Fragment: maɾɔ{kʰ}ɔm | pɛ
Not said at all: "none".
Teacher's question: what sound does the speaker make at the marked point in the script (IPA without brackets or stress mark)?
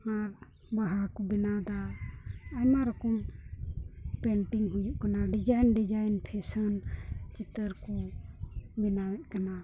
k